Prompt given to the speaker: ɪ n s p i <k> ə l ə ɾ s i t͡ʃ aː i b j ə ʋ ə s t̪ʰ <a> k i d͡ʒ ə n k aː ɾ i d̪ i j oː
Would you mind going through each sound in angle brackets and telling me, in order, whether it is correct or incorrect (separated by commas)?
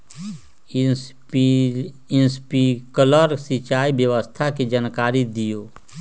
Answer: correct, correct